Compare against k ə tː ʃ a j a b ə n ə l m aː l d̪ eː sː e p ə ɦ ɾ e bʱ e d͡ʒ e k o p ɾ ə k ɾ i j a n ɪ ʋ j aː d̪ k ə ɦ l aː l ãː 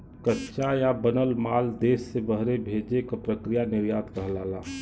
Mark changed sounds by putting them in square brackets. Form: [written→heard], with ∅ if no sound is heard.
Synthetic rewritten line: k ə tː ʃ a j a b ə n ə l m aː l d̪ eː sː e [p→b] ə ɦ ɾ e bʱ e d͡ʒ e k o p ɾ ə k ɾ i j a n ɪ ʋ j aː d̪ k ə ɦ l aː l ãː